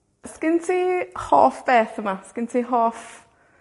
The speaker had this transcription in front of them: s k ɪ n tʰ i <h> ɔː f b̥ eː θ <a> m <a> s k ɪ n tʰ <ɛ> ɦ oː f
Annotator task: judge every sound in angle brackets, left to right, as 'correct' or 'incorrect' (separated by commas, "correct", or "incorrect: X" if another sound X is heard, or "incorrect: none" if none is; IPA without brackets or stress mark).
correct, incorrect: ə, correct, incorrect: i